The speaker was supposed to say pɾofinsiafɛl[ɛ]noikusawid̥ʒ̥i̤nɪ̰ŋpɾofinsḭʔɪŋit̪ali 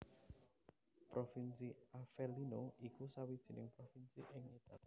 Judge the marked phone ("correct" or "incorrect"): incorrect